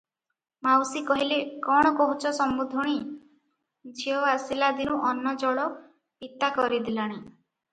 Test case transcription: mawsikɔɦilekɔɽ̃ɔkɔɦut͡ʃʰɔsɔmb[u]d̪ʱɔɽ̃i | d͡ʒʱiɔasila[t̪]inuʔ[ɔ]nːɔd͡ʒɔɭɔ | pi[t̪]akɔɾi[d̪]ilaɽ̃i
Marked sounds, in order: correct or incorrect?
correct, incorrect: d̪, correct, correct, correct

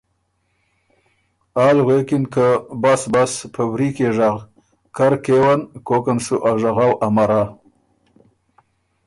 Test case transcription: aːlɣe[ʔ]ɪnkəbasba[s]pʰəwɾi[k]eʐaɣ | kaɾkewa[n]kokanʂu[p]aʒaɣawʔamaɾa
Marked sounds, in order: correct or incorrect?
incorrect: k, correct, correct, correct, incorrect: ʔ

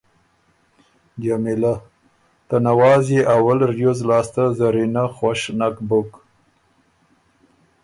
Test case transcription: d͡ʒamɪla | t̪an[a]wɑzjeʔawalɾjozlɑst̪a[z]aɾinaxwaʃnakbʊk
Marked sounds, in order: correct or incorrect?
correct, correct

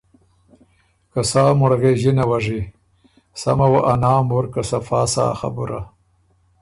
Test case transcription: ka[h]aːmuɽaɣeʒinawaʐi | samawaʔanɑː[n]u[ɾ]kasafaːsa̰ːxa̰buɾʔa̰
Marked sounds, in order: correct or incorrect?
incorrect: s, incorrect: m, correct

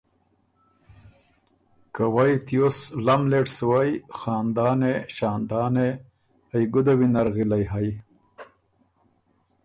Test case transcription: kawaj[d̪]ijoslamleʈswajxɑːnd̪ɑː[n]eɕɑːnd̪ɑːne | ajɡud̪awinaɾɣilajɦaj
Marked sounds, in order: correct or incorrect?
incorrect: t̪, correct

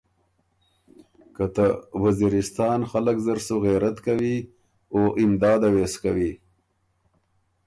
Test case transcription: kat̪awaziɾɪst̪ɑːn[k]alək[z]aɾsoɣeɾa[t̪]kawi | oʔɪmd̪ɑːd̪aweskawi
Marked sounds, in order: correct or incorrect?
incorrect: x, correct, correct

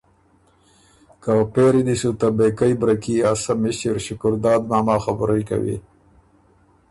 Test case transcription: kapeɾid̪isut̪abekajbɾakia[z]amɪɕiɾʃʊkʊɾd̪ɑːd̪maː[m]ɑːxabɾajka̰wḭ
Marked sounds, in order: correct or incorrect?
incorrect: s, correct

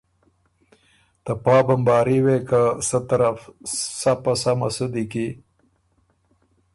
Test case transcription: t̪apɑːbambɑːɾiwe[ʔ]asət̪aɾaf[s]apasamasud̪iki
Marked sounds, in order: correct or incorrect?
incorrect: k, correct

